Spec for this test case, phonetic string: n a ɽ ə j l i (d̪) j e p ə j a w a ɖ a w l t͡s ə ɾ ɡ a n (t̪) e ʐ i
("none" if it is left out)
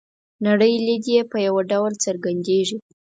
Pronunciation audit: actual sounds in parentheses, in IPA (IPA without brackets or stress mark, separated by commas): d̪, d̪